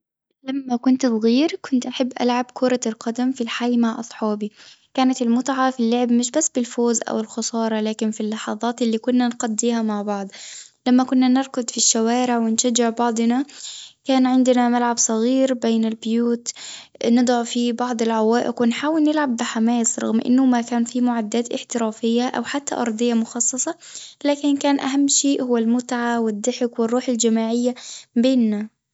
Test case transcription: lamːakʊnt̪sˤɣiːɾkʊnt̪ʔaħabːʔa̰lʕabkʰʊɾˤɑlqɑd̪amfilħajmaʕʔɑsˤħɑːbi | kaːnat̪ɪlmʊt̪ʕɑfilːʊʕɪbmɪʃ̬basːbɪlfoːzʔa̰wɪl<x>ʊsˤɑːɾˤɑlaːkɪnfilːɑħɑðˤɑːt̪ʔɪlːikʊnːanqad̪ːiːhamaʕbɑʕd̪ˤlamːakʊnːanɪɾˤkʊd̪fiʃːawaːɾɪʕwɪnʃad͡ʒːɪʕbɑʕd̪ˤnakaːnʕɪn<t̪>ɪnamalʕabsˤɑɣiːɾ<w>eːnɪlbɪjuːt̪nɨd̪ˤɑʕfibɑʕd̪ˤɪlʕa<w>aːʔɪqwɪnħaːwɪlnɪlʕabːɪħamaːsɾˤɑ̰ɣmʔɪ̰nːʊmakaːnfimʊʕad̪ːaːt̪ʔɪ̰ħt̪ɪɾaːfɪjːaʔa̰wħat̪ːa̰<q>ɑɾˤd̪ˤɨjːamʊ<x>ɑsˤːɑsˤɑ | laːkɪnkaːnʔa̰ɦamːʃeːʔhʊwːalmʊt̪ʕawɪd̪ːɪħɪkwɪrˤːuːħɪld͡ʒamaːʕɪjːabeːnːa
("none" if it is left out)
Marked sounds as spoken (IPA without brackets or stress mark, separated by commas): x, d̪, b, w, ʔ, x